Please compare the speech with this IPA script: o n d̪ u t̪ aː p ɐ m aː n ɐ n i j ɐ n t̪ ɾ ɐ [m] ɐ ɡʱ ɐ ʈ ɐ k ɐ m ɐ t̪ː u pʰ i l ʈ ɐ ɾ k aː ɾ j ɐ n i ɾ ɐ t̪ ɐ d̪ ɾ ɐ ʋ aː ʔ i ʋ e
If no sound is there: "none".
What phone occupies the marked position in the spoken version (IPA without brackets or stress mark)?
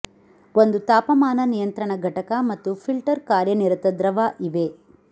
ɳ